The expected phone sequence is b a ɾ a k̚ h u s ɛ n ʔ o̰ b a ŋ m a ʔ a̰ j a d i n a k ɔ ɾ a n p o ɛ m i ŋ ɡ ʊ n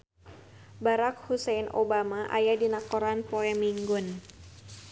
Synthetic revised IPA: b a ɾ a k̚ h u s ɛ n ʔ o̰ b a m a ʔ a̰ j a d i n a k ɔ ɾ a n p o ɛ m i ŋ ɡ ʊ n

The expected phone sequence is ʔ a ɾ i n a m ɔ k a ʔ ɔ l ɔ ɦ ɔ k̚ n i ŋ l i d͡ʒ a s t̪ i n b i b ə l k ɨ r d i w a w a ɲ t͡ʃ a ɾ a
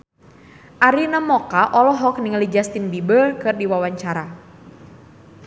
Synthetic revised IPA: ʔ a ɾ i n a m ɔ k a ʔ ɔ l ɔ ɦ ɔ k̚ n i ŋ l i d͡ʒ a s t̪ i n b i b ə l k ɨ r d i w a w a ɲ t͡ʃ a ɾ a

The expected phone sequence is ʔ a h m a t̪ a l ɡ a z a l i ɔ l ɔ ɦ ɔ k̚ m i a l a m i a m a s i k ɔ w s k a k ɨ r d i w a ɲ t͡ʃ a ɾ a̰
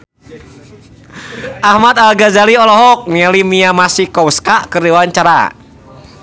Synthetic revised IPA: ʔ a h m a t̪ a l ɡ a z a l i ɔ l ɔ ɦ ɔ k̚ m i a l i m i a m a s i k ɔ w s k a k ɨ r d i w a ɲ t͡ʃ a ɾ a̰

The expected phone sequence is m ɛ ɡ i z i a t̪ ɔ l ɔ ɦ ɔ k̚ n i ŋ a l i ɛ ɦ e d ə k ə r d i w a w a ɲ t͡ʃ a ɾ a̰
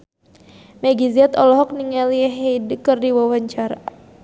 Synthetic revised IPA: m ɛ ɡ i z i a t̪ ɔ l ɔ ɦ ɔ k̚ n i ŋ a l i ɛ ɦ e d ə k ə r d i w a w a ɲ t͡ʃ a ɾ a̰

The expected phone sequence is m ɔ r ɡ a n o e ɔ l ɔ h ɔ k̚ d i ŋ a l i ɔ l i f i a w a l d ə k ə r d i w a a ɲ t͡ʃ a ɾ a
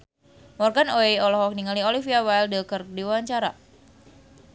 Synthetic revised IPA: m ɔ r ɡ a n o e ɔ l ɔ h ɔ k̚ n i ŋ a l i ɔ l i f i a w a l d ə k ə r d i w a a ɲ t͡ʃ a ɾ a

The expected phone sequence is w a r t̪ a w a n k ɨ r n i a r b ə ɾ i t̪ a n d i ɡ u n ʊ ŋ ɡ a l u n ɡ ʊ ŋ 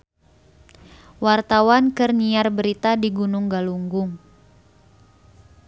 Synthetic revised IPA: w a r t̪ a w a n k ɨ r n i a r b ə ɾ i t̪ a d i ɡ u n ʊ ŋ ɡ a l u ŋ ɡ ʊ ŋ

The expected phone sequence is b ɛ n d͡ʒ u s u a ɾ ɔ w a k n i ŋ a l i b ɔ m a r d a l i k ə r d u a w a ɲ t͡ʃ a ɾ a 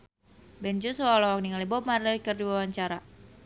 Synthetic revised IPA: b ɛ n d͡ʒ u s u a l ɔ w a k n i ŋ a l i b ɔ m a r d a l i k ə r d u a w a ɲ t͡ʃ a ɾ a

